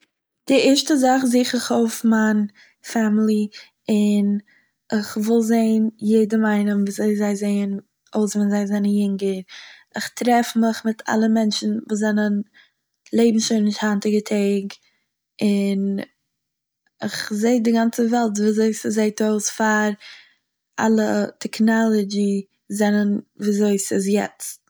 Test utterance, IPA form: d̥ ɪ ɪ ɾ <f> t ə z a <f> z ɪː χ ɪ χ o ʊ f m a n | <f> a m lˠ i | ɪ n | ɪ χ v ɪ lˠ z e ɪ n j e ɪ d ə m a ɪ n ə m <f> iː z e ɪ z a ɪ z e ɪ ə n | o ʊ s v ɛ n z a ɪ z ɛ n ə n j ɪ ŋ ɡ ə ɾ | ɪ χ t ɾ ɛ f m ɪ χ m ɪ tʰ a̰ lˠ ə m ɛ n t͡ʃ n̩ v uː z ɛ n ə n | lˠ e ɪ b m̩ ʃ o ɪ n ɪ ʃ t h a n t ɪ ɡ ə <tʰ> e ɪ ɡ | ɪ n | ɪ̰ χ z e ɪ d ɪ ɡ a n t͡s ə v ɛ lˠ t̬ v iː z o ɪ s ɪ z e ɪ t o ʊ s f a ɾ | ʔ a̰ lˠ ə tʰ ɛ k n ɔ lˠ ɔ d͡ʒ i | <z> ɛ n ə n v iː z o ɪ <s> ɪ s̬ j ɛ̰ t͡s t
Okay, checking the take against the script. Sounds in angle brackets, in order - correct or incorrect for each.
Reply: incorrect: ʃ, incorrect: χ, correct, incorrect: v, correct, correct, correct

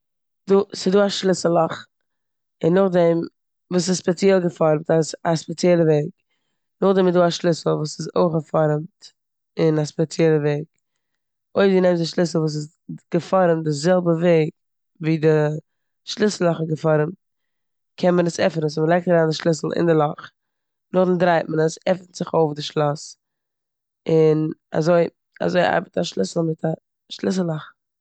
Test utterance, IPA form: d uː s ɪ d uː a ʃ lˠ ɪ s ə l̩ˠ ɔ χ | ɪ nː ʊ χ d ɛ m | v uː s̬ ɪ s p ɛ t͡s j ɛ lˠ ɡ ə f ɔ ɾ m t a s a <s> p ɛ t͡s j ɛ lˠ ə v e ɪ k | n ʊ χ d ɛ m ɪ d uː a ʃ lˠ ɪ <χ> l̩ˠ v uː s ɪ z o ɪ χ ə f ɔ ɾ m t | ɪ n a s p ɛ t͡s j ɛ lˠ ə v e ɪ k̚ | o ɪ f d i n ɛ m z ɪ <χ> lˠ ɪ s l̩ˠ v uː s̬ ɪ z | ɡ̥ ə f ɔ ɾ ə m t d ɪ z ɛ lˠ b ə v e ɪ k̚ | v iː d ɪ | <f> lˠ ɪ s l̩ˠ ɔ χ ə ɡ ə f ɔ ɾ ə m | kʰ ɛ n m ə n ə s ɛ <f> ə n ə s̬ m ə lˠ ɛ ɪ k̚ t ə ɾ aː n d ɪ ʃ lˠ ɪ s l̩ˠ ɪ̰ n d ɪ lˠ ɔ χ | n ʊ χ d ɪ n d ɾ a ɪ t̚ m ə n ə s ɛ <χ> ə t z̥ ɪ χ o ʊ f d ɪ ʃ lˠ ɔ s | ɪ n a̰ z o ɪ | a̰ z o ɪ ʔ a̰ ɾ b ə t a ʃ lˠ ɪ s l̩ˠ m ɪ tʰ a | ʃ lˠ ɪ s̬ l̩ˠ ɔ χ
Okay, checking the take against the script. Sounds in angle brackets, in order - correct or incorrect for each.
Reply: correct, incorrect: s, incorrect: ʃ, incorrect: ʃ, correct, incorrect: f

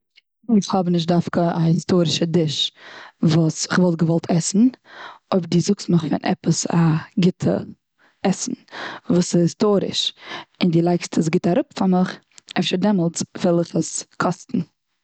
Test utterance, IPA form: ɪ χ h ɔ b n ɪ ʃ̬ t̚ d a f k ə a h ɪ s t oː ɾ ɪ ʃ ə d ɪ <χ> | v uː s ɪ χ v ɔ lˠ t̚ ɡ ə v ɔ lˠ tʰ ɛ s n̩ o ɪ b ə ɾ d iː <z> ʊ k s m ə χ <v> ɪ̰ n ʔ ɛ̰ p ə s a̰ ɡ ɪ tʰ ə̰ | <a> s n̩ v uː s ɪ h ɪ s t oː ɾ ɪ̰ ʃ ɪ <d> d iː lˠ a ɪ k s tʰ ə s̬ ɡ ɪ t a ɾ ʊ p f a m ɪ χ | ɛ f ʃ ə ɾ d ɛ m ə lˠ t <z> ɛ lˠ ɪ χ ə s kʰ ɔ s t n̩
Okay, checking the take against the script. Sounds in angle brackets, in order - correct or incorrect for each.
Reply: incorrect: ʃ, correct, incorrect: f, incorrect: ɛ, incorrect: n, incorrect: v

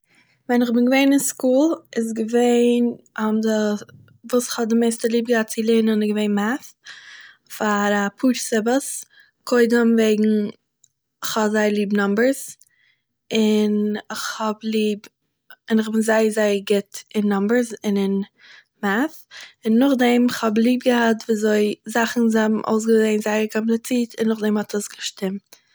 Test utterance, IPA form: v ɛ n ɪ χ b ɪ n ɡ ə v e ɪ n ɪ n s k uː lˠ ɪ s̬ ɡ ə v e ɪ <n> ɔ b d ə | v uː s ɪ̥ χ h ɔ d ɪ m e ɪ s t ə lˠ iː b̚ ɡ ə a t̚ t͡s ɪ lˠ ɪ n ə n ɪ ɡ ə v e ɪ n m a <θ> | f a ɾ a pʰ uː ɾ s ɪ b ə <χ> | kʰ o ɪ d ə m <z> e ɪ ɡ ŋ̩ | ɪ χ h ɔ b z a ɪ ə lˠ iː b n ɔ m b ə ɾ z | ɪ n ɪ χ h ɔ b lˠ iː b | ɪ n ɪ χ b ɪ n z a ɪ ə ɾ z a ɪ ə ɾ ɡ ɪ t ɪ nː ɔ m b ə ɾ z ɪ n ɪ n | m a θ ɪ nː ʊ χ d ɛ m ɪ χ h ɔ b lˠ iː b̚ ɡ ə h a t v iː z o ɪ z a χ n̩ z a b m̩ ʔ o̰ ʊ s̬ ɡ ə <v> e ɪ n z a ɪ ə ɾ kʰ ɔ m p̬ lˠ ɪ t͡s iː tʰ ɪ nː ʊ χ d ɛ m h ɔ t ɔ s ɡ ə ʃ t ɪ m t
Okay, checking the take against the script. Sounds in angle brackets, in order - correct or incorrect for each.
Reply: correct, correct, incorrect: s, incorrect: v, incorrect: z

